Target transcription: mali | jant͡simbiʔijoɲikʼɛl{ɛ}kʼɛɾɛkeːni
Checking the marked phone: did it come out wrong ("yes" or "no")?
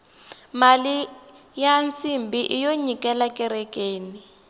yes